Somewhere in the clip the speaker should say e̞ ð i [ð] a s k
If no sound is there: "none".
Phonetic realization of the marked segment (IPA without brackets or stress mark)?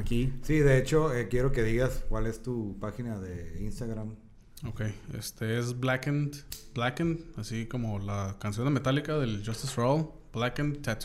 ɣ